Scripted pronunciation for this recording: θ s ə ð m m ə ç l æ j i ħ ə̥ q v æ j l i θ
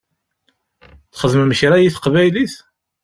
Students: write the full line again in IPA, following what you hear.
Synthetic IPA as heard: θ χ ə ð m m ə ç ɾ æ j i θ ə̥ q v æ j l i θ